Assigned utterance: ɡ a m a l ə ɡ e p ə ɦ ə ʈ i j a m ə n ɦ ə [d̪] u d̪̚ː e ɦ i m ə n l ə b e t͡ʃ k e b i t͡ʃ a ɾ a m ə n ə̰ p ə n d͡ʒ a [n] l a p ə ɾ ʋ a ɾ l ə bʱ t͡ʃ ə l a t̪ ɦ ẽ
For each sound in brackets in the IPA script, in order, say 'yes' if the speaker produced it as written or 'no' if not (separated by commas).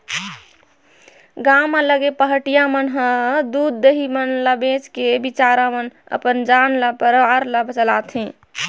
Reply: yes, yes